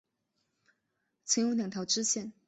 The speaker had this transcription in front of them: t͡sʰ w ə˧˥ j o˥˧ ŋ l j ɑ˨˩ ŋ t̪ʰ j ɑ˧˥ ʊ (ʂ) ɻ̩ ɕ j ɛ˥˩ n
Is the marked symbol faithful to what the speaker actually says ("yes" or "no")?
no